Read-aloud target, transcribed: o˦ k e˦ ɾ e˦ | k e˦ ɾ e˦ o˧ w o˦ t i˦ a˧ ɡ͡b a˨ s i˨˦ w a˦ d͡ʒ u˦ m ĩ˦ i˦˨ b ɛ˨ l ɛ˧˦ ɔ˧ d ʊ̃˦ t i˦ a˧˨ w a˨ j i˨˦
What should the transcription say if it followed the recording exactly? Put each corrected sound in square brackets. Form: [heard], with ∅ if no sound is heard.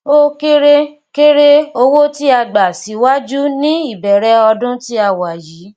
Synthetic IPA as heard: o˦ k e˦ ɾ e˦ | k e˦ ɾ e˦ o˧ w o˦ t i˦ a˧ ɡ͡b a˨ s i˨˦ w a˦ d͡ʒ u˦ [n] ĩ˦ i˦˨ b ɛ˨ [ɾ] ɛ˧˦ ɔ˧ d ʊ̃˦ t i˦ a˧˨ w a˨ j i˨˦